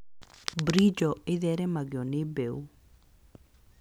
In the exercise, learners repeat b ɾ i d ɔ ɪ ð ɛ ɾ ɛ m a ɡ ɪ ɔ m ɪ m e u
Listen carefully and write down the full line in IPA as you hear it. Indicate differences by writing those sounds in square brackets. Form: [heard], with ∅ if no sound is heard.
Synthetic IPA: b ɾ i [d͡ʒ] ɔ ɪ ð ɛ ɾ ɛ m a ɡ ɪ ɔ [n] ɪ [b] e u